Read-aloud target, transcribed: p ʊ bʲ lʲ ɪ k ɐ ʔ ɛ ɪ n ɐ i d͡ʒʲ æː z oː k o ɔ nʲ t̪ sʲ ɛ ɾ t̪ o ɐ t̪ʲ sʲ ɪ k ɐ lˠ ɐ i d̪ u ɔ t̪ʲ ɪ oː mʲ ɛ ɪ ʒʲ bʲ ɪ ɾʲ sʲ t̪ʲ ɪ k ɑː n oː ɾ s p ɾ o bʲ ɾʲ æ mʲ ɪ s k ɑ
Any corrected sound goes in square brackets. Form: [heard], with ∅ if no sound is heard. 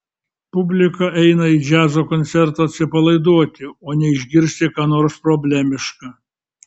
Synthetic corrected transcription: p ʊ bʲ lʲ ɪ k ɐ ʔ ɛ ɪ n ɐ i d͡ʒʲ æː z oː k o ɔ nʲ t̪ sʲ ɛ ɾ t̪ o ɐ t̪ʲ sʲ ɪ [p] ɐ lˠ ɐ [ɪ] d̪ u ɔ t̪ʲ ɪ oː [nʲ] ɛ ɪ ʒʲ [ɡʲ] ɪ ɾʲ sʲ t̪ʲ ɪ k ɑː n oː ɾ s p ɾ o bʲ [lʲ] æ mʲ ɪ [ʃ] k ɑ

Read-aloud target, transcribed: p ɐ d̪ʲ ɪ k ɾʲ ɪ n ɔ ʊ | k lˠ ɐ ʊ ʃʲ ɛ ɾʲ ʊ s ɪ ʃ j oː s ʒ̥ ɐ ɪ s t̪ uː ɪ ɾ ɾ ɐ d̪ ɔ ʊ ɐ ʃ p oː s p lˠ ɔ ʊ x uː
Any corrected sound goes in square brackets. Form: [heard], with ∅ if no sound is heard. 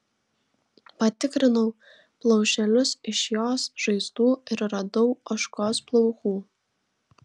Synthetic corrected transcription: p ɐ [t̪ʲ] ɪ k ɾʲ ɪ n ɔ ʊ | [p] lˠ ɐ ʊ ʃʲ ɛ [lʲ] ʊ s ɪ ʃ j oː s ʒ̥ ɐ ɪ s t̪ uː ɪ ɾ ɾ ɐ d̪ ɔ ʊ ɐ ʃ [k] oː s p lˠ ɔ ʊ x uː

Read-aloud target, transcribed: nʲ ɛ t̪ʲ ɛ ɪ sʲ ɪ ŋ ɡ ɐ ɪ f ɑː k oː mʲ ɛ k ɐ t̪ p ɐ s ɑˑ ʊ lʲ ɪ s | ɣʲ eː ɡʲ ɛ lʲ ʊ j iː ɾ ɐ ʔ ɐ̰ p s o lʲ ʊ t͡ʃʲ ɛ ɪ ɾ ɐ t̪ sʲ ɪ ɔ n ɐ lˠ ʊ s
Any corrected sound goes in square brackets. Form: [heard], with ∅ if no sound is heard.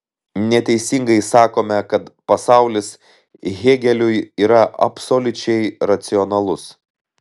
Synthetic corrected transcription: nʲ ɛ t̪ʲ ɛ ɪ sʲ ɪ ŋ ɡ ɐ ɪ [s] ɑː k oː mʲ ɛ k ɐ t̪ p ɐ s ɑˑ ʊ lʲ ɪ s | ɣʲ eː ɡʲ ɛ lʲ ʊ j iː ɾ ɐ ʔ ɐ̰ p s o lʲ ʊ t͡ʃʲ ɛ ɪ ɾ ɐ t̪ sʲ ɪ ɔ n ɐ lˠ ʊ s

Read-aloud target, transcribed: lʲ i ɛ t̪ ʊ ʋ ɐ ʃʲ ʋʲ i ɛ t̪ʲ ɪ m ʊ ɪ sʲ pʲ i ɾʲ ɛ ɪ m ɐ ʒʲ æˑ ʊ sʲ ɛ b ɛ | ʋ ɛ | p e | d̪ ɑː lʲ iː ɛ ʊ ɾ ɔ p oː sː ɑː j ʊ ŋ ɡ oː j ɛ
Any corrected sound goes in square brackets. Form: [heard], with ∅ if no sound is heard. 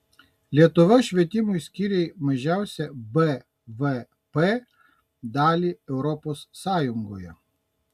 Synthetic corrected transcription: lʲ i ɛ t̪ ʊ ʋ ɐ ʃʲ ʋʲ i ɛ t̪ʲ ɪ m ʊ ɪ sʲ [kʲ] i ɾʲ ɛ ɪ m ɐ ʒʲ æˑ ʊ sʲ ɛ b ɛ | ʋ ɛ | p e | d̪ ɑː lʲ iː ɛ ʊ ɾ ɔ p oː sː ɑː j ʊ ŋ ɡ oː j ɛ

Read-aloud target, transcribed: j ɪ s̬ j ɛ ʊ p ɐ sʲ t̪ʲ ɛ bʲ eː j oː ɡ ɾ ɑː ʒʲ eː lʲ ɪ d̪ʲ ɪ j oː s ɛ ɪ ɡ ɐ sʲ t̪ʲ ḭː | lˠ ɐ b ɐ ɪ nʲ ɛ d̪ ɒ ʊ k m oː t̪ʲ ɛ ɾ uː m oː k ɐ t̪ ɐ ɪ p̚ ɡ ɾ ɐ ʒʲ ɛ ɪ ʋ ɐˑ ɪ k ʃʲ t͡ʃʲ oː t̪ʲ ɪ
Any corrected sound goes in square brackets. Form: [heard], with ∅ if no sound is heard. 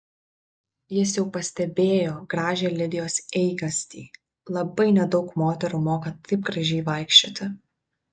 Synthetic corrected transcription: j ɪ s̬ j ɛ ʊ p ɐ sʲ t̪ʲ ɛ bʲ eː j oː ɡ ɾ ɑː ʒʲ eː lʲ ɪ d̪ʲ ɪ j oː s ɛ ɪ ɡ ɐ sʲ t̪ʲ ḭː | lˠ ɐ b ɐ ɪ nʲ ɛ d̪ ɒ ʊ k m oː t̪ʲ ɛ ɾ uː m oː k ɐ t̪ ɐ ɪ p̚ ɡ ɾ ɐ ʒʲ ɛ ɪ ʋ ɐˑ ɪ k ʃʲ t͡ʃʲ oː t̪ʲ ɪ

